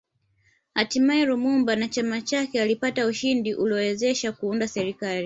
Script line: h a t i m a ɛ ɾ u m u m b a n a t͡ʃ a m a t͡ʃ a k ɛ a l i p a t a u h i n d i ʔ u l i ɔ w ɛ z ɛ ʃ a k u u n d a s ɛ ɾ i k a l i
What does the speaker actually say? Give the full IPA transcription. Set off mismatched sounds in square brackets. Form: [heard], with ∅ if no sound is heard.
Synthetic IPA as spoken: h a t i m a ɛ ɾ u m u m b a n a t͡ʃ a m a t͡ʃ a k ɛ a l i p a t a u [ʃ] i n d i ʔ u l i ɔ w ɛ z ɛ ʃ a k u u n d a s ɛ ɾ i k a l i